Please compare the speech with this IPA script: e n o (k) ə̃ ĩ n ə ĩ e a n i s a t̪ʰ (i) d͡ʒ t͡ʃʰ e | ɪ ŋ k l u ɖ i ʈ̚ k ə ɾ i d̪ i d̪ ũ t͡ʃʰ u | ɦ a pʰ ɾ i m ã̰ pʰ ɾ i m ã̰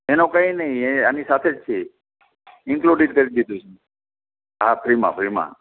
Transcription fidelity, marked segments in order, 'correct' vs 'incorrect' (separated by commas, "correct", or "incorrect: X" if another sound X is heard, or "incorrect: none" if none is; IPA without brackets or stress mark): correct, incorrect: e